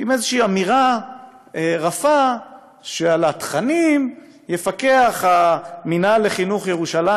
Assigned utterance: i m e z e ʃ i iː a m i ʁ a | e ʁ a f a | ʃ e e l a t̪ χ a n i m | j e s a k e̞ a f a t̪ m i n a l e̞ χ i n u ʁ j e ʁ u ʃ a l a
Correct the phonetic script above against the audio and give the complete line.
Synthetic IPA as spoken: i m e z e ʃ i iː a m i ʁ a | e ʁ a f a | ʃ e a l a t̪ χ a n i m | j e f a k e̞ a χ a m i n a l e̞ χ i n u χ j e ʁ u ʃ a l a